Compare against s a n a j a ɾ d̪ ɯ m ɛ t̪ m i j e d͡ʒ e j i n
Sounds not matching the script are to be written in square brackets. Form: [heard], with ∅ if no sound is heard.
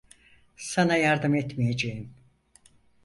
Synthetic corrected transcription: s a n a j a ɾ d̪ ɯ m ɛ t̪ m i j e d͡ʒ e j i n